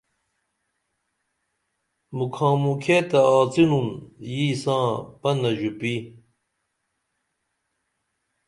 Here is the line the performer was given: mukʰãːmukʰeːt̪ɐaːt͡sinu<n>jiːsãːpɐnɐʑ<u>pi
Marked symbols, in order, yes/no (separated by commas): yes, yes